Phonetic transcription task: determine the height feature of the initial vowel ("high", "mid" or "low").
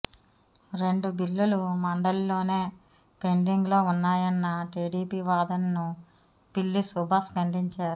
mid